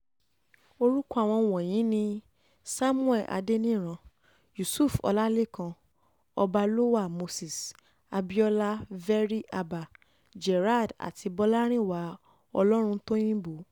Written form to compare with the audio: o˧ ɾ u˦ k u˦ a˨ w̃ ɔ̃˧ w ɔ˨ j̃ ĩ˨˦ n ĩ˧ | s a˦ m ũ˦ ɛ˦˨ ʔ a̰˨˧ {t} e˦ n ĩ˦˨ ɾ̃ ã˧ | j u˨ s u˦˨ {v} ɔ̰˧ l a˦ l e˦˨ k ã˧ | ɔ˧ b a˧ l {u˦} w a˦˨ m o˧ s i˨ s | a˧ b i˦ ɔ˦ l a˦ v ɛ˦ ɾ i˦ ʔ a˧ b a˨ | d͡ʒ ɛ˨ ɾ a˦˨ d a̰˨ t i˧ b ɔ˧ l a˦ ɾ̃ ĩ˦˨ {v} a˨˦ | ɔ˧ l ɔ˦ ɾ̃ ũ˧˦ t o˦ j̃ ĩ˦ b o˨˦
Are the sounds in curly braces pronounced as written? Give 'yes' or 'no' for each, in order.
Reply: no, no, no, no

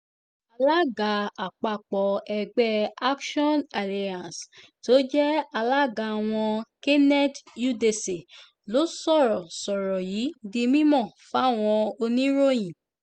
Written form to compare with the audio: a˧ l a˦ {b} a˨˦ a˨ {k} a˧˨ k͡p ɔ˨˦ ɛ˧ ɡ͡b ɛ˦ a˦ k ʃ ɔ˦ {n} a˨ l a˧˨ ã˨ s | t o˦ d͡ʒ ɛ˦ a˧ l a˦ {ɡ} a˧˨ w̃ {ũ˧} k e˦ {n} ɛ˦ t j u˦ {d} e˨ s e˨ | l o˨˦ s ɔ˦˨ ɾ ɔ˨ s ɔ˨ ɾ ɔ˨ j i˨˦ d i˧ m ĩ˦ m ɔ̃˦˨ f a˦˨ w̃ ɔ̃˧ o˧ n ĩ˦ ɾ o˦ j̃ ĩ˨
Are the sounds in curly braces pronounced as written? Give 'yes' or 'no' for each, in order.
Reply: no, no, yes, yes, no, yes, yes

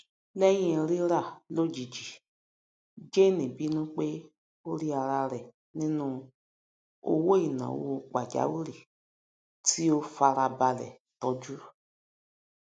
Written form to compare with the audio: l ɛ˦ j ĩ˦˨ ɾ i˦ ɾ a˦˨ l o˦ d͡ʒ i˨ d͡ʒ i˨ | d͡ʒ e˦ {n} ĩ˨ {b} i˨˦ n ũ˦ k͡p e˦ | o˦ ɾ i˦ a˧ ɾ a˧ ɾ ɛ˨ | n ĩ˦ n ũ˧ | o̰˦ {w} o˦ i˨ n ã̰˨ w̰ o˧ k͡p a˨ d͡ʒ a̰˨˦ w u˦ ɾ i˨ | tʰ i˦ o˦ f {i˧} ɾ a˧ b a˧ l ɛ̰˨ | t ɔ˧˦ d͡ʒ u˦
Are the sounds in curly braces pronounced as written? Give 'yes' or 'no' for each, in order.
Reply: yes, yes, yes, no

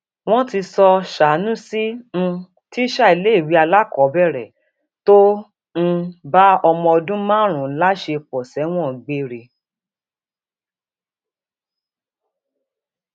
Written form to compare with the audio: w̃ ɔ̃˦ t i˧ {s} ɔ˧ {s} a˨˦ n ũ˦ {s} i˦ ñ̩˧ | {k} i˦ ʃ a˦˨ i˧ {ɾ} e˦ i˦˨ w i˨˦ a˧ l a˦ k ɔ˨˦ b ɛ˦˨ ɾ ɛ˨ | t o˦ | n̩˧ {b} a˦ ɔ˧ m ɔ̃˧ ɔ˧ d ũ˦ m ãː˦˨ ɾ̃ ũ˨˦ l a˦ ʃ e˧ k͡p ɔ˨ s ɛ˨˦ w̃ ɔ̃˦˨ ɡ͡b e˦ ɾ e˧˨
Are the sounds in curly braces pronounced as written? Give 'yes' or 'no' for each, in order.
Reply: yes, no, yes, no, no, yes

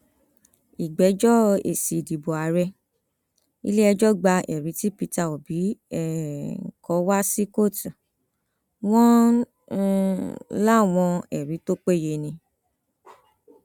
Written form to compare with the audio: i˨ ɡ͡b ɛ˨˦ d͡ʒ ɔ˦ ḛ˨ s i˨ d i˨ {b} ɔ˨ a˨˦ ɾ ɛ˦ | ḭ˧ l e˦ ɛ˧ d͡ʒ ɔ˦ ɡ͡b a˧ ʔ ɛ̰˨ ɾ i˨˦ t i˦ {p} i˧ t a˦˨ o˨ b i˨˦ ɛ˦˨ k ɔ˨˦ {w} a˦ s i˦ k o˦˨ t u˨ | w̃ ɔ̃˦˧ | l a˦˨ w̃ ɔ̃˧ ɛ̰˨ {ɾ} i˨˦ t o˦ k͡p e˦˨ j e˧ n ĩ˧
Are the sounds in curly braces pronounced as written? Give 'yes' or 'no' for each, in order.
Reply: yes, yes, yes, yes

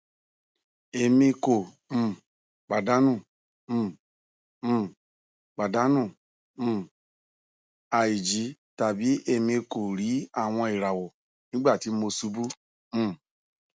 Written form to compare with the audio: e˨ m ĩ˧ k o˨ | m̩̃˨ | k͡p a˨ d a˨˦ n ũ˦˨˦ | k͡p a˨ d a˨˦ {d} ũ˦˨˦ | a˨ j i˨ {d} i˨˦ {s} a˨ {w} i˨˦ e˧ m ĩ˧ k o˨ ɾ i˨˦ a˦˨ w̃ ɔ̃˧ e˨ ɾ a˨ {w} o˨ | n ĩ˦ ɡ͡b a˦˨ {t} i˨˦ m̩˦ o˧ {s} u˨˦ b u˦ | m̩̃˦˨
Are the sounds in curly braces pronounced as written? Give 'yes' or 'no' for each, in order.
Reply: no, no, no, no, yes, yes, yes

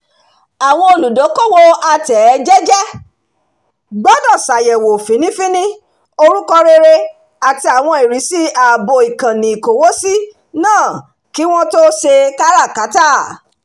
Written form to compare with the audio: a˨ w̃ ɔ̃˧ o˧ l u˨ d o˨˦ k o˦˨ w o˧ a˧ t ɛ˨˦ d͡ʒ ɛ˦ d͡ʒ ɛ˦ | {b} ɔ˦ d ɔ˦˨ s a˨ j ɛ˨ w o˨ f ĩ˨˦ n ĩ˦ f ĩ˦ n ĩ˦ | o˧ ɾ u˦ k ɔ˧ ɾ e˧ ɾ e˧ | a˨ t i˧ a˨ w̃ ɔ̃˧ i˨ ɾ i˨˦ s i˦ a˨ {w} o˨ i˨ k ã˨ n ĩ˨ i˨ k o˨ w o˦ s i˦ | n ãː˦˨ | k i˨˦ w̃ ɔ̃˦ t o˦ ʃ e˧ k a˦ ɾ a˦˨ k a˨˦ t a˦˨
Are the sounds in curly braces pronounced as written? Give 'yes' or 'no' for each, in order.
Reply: no, no

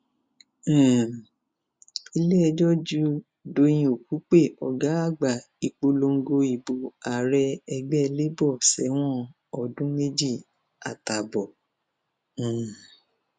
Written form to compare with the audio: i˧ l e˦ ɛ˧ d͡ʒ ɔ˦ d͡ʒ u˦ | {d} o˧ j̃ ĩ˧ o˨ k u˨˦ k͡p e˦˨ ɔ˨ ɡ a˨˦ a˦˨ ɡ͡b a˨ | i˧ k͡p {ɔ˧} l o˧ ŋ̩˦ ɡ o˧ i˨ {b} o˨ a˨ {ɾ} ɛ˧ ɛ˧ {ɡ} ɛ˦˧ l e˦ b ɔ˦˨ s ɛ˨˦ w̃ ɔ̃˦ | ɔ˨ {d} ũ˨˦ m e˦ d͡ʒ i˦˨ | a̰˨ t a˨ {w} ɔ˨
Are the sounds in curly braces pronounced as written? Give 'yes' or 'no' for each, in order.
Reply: yes, no, yes, yes, no, yes, no

